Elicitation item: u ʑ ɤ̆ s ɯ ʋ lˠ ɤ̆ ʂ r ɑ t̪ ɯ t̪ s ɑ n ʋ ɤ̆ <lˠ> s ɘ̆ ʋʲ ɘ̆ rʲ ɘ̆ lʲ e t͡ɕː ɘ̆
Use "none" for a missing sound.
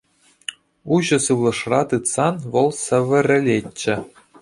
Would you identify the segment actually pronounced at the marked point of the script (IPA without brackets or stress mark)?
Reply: lˠ